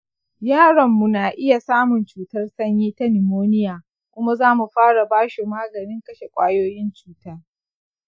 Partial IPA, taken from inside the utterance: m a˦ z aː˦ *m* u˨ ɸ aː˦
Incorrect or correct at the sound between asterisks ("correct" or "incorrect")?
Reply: correct